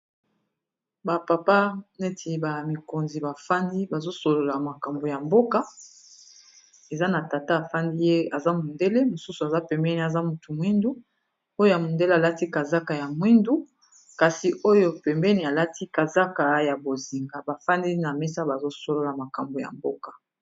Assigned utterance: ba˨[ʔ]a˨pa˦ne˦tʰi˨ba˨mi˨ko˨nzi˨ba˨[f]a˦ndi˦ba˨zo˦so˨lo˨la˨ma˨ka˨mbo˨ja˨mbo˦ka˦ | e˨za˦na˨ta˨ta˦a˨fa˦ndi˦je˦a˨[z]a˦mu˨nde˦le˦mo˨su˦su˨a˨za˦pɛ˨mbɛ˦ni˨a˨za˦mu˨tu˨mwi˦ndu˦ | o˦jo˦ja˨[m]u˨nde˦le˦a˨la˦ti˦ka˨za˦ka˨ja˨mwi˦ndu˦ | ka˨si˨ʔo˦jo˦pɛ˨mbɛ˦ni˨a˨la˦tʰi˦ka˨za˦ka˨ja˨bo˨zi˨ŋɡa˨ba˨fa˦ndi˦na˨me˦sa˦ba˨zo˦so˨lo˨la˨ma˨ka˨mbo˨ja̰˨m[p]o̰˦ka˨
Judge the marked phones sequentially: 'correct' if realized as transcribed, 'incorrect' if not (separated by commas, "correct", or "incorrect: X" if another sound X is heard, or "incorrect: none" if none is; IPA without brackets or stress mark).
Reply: incorrect: p, correct, correct, correct, incorrect: b